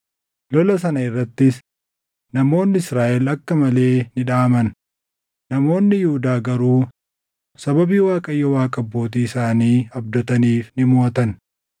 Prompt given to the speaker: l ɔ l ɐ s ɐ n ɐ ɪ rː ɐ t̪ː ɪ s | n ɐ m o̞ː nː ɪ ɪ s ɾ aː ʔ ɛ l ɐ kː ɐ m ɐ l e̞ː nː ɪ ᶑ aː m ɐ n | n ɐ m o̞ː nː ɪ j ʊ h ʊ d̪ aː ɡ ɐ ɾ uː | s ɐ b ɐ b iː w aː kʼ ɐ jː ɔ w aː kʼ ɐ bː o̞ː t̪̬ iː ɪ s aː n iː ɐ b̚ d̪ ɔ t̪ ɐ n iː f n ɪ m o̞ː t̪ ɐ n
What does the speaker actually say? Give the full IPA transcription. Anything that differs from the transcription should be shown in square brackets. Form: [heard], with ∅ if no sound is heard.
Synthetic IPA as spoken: l ɔ l ɐ s ɐ n ɐ ɪ rː ɐ t̪ː ɪ s | n ɐ m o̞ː nː ɪ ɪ s ɾ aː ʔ ɛ l ɐ kː ɐ m ɐ l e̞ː [n] ɪ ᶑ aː m ɐ n | n ɐ m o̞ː nː ɪ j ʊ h ʊ d̪ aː ɡ ɐ ɾ uː | s ɐ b ɐ b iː w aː kʼ ɐ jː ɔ w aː kʼ ɐ bː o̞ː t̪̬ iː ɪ s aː n iː ɐ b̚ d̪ ɔ t̪ ɐ n iː f n ɪ m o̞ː t̪ ɐ n